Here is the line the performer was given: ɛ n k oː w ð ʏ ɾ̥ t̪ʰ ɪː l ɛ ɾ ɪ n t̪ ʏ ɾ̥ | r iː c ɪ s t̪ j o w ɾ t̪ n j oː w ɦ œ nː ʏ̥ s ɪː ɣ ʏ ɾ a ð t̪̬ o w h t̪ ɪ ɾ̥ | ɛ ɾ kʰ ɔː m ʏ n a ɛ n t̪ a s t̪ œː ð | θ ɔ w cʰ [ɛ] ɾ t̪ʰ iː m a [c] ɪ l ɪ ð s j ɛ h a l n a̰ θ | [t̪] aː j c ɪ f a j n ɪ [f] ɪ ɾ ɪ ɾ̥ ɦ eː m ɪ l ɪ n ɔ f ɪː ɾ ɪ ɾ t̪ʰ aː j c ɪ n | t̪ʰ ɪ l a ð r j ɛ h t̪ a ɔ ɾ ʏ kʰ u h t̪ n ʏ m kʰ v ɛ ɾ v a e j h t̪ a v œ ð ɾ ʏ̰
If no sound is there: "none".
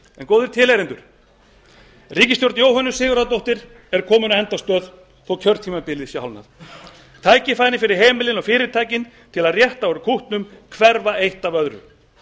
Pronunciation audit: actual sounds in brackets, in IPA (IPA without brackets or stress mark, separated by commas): œ, p, t̪ʰ, f